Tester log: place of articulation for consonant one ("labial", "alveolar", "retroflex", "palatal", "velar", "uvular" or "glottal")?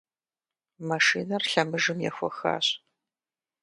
labial